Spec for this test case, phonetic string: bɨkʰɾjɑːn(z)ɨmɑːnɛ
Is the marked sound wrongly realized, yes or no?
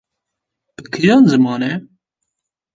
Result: no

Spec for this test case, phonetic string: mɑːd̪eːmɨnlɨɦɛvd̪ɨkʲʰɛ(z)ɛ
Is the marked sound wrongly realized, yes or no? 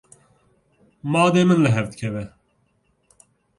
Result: yes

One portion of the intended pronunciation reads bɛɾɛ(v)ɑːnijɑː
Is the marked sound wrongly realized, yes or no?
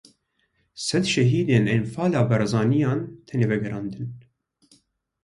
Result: yes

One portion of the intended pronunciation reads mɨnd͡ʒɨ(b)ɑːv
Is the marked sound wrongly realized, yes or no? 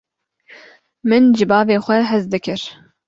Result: no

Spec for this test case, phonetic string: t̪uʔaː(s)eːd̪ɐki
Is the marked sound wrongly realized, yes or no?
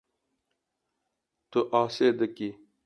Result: no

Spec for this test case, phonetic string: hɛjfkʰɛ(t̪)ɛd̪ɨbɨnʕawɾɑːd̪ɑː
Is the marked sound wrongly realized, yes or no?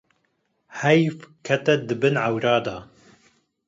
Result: no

